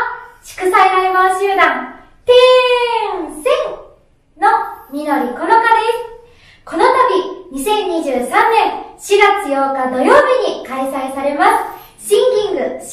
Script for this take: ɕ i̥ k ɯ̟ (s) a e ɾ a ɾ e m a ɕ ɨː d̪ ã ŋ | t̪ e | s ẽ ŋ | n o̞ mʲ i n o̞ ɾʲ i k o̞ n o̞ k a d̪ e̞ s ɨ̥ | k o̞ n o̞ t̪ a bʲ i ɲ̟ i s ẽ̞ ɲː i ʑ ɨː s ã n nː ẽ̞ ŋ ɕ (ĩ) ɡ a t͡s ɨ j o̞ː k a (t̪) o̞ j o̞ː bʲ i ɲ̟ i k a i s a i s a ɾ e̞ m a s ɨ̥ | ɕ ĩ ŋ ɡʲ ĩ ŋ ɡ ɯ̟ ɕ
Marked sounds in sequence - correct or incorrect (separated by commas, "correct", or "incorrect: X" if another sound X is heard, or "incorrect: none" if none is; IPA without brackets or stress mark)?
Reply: correct, incorrect: i, incorrect: d̪